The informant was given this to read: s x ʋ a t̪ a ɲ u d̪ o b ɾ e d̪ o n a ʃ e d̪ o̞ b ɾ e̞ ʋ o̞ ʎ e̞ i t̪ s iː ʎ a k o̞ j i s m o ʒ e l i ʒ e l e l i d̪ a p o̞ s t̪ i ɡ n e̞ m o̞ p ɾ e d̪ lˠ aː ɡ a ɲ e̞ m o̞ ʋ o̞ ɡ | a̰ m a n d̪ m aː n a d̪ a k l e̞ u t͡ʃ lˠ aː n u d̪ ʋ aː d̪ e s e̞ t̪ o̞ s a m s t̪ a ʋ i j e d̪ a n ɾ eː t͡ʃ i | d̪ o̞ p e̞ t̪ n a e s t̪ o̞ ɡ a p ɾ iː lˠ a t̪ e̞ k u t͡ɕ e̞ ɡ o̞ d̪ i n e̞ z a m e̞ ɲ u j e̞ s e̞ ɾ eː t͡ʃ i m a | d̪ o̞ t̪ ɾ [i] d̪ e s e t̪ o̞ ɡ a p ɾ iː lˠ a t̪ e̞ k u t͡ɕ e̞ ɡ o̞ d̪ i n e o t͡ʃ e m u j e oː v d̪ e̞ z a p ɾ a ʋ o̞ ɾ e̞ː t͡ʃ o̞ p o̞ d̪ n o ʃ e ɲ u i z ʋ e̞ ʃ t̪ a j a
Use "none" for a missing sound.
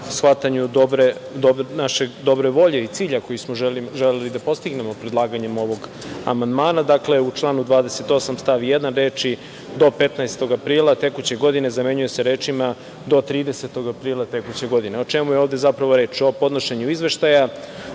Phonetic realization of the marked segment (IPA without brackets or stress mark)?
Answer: iː